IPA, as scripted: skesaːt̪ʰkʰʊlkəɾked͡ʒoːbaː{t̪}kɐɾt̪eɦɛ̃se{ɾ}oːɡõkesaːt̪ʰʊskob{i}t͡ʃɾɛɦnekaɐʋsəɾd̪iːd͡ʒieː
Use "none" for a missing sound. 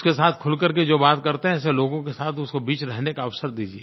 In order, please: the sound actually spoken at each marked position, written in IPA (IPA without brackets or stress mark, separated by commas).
t̪, l, iː